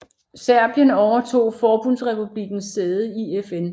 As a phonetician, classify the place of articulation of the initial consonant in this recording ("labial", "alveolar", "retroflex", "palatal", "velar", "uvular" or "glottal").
alveolar